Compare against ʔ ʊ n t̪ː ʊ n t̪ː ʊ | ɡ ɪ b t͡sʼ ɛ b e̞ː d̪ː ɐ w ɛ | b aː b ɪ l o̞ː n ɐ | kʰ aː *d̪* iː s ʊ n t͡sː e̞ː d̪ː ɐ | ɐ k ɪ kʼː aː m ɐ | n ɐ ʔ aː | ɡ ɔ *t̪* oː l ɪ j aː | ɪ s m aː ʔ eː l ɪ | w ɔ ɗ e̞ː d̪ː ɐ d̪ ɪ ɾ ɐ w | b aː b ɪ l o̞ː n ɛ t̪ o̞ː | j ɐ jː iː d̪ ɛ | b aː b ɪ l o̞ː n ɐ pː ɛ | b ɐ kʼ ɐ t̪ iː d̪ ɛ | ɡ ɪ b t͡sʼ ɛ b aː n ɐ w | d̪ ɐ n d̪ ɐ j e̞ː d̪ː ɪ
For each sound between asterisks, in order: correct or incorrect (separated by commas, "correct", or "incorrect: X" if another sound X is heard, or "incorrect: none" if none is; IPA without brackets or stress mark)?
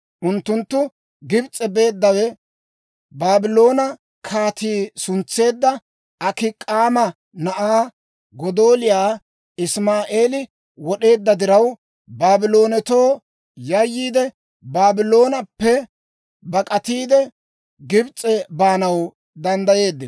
incorrect: t̪, incorrect: d̪